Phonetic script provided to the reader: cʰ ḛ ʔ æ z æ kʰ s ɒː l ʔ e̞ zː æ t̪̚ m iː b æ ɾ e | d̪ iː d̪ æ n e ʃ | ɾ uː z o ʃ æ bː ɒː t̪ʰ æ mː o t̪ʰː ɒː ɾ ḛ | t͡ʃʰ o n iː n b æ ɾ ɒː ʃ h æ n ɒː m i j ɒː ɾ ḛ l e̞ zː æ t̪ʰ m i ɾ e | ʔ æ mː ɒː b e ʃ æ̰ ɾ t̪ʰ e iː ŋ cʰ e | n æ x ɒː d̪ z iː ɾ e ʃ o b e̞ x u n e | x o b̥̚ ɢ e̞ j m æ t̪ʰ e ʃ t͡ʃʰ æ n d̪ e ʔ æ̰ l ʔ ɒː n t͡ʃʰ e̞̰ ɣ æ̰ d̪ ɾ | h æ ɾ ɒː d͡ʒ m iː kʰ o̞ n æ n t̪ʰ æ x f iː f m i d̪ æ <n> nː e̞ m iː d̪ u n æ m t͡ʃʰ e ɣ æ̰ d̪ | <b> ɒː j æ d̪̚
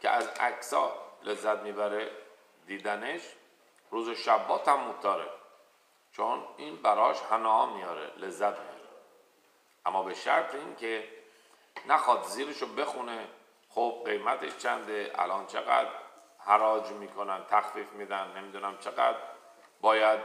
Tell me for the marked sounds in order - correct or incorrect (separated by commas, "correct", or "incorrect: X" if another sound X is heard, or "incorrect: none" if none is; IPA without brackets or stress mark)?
correct, correct